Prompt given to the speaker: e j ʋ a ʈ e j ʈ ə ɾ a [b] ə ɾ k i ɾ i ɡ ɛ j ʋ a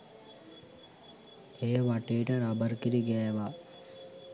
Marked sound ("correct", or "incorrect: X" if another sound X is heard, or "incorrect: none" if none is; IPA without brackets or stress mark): correct